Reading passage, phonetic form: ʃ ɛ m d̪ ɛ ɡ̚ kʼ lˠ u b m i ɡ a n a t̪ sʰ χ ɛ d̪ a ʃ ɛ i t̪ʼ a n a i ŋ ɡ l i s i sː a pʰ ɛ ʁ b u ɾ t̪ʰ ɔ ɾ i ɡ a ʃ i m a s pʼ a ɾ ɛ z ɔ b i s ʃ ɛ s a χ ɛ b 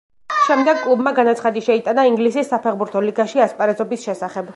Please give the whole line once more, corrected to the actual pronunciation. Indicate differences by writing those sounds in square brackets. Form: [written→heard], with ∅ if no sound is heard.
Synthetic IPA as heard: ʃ ɛ m d̪ ɛ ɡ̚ kʼ lˠ u b m [i→a] ɡ a n a t̪ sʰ χ [ɛ→a] d̪ [a→i] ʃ ɛ i t̪ʼ a n a i ŋ ɡ l i s i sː a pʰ ɛ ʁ b u ɾ t̪ʰ ɔ [ɾ→l] i ɡ a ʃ i [m→∅] a s pʼ a ɾ ɛ z ɔ b i s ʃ ɛ s a χ ɛ b